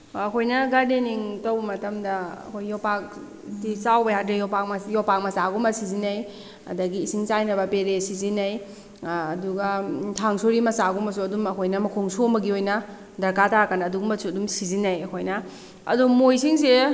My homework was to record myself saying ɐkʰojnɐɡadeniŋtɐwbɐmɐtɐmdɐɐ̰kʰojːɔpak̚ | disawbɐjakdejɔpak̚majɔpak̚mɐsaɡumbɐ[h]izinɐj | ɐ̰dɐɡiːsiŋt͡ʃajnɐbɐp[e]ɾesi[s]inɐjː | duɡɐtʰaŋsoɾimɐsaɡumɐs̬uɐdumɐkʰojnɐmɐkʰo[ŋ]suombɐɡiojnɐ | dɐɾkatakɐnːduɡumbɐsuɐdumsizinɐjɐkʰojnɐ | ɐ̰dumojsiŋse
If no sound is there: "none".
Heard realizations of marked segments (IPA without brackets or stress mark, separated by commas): s, e, z, ŋ